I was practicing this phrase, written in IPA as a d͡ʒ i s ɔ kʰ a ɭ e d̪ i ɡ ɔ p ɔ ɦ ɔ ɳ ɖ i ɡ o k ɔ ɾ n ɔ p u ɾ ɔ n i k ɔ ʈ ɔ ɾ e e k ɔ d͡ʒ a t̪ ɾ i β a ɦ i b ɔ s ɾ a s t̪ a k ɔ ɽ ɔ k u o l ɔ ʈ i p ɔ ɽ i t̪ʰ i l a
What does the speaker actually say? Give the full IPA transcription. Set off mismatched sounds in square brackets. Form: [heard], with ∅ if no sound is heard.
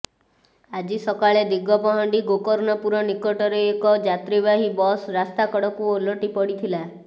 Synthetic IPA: a d͡ʒ i s ɔ [k] a ɭ e d̪ i ɡ ɔ p ɔ ɦ ɔ ɳ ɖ i ɡ o k ɔ ɾ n ɔ p u ɾ ɔ n i k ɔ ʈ ɔ ɾ e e k ɔ d͡ʒ a t̪ ɾ i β a ɦ i b ɔ s ɾ a s t̪ a k ɔ ɽ ɔ k u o l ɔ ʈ i p ɔ ɽ i t̪ʰ i l a